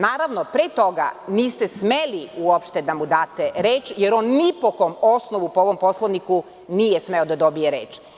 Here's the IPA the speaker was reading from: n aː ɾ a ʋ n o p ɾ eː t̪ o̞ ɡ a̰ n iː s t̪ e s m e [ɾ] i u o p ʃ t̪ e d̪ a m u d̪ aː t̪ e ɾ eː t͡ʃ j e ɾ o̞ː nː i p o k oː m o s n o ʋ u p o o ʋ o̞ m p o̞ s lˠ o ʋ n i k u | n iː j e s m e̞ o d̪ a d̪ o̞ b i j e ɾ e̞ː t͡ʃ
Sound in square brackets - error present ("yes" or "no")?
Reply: yes